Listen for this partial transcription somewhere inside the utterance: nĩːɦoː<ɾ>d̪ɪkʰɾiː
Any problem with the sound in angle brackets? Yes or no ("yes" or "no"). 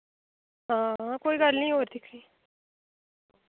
no